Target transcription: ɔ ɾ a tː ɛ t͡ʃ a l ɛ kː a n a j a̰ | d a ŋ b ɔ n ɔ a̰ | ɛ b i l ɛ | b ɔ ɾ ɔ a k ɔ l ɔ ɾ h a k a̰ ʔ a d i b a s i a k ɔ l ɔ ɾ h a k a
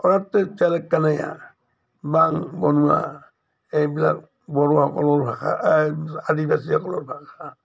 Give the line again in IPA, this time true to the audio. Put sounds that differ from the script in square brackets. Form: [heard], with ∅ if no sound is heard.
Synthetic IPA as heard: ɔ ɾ a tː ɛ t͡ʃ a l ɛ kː a n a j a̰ | [b] a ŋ b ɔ n [u] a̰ | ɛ b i l [a] | b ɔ ɾ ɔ a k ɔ l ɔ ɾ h a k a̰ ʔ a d i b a s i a k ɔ l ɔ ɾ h a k a